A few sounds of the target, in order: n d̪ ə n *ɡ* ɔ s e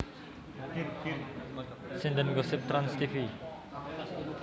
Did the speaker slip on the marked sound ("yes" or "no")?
no